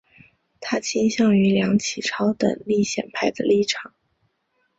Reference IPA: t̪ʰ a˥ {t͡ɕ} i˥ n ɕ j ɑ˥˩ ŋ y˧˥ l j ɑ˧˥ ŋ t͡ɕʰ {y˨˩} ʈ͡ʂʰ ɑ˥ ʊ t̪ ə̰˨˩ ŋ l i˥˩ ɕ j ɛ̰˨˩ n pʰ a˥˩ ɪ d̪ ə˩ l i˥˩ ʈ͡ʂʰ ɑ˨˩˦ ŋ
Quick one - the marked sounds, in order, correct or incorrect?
incorrect: t͡ɕʰ, incorrect: i˨˩

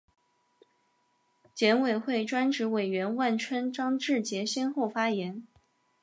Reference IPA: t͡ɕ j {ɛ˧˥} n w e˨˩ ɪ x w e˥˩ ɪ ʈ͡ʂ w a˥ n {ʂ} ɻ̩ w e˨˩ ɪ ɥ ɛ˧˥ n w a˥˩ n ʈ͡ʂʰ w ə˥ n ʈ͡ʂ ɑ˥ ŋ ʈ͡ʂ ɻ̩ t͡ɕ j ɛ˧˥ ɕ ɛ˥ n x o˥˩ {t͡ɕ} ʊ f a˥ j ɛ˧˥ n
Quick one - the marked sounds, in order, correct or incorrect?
correct, incorrect: ʈ͡ʂ, incorrect: none

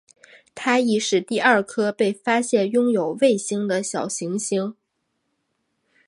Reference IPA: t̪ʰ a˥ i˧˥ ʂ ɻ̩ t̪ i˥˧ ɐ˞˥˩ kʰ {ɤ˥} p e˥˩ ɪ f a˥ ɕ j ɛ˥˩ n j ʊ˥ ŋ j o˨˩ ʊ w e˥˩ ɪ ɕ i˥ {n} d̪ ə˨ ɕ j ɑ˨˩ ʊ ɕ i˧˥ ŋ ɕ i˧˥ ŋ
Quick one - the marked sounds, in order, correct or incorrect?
correct, incorrect: ŋ

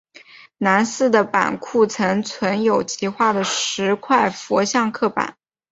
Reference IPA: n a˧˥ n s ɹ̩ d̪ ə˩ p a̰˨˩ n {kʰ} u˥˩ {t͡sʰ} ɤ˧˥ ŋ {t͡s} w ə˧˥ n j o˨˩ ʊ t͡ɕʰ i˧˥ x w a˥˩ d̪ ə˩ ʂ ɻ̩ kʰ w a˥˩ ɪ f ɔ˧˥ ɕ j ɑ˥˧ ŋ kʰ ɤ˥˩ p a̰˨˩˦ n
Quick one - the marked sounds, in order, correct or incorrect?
correct, correct, incorrect: t͡sʰ

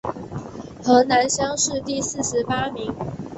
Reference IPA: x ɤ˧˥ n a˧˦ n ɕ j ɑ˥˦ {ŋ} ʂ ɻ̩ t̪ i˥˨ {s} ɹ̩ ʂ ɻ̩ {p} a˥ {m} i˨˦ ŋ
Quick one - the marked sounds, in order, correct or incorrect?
correct, correct, correct, correct

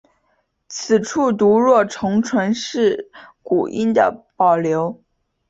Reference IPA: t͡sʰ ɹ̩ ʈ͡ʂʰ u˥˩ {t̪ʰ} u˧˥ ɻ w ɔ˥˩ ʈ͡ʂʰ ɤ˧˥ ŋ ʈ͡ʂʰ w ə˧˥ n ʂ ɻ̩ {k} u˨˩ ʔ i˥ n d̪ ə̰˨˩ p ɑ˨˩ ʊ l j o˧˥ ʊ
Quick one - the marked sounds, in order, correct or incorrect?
incorrect: t̪, correct

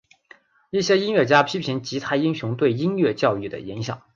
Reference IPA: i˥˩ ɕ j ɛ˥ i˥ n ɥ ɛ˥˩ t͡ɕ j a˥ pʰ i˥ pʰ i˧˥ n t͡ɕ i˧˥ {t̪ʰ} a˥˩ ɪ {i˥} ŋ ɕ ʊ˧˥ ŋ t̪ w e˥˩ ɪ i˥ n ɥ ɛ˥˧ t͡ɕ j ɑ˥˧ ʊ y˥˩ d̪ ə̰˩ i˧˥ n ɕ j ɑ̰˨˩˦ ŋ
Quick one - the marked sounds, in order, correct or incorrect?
correct, correct

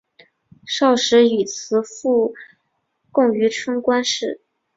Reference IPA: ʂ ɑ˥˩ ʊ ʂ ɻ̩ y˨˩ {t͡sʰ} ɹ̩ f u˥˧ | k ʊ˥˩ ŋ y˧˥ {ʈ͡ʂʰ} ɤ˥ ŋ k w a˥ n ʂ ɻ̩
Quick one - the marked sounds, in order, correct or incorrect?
correct, correct

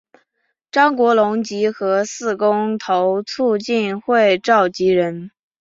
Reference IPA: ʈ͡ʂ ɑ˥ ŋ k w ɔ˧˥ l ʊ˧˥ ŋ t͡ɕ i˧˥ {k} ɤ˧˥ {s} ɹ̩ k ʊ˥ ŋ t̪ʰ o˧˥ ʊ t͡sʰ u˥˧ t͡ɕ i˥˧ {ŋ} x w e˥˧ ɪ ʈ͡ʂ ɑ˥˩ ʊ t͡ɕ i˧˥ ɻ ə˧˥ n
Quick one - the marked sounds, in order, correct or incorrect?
incorrect: x, correct, incorrect: n

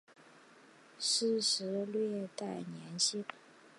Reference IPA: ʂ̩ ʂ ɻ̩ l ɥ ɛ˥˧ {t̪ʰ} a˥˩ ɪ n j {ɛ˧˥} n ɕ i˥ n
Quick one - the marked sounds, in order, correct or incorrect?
incorrect: t̪, correct

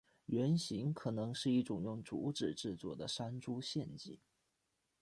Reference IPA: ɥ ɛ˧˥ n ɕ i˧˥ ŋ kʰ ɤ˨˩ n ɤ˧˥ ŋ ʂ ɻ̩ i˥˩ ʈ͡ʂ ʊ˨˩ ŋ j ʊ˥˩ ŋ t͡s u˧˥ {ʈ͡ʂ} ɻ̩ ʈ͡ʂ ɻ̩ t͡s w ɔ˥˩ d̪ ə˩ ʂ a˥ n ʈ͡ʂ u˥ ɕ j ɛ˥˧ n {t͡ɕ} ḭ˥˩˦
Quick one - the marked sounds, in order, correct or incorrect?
correct, correct

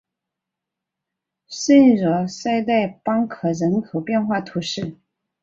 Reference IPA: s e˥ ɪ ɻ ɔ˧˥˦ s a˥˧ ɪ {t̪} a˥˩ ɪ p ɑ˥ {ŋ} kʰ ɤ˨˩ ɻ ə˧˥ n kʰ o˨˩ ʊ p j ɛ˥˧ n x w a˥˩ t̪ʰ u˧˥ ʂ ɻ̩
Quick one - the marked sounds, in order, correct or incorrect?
correct, correct

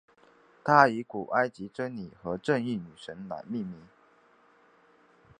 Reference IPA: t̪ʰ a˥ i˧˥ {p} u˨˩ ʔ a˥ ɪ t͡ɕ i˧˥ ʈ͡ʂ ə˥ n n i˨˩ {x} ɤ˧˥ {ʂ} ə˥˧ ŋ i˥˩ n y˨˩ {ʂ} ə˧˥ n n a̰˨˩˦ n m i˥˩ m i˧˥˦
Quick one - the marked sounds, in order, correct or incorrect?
incorrect: k, correct, incorrect: ʈ͡ʂ, correct

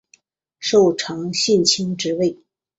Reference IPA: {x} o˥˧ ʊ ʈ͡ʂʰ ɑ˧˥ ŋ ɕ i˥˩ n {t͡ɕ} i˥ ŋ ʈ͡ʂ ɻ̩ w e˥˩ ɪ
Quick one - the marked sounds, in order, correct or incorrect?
incorrect: ʂ, incorrect: t͡ɕʰ

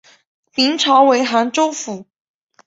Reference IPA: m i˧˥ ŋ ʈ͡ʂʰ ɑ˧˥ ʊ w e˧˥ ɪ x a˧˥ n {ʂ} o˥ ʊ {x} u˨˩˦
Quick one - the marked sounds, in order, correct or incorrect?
incorrect: ʈ͡ʂ, incorrect: f

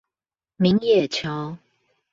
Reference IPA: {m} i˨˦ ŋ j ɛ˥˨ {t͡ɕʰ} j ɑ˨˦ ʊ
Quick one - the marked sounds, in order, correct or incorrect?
correct, correct

